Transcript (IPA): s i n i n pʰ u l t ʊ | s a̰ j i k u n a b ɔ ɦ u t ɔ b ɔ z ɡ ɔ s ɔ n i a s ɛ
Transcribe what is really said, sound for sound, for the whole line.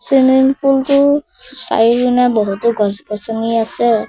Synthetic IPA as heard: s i n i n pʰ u l t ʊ | s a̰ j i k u n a b ɔ ɦ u t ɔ ɡ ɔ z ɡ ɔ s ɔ n i a s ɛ